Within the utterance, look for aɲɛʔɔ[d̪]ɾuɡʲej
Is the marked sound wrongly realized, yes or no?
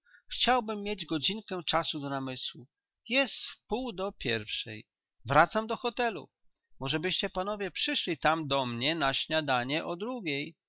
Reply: no